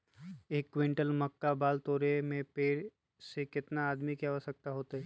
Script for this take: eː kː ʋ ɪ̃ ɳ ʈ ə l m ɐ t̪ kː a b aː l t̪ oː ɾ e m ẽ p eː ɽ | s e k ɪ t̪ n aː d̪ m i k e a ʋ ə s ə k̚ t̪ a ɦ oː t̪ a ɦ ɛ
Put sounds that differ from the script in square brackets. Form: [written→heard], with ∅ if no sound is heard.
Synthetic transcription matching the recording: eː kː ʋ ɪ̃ ɳ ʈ ə l m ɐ [t̪→∅] kː a b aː l t̪ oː ɾ e m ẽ p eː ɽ | s e k ɪ t̪ n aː d̪ m i k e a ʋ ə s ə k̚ t̪ a ɦ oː t̪ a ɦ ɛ